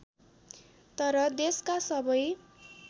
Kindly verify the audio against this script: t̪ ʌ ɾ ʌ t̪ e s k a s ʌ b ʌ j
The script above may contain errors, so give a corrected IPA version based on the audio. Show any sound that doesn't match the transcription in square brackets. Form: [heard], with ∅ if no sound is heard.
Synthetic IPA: t̪ ʌ ɾ ʌ [d̪] e s k a s ʌ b ʌ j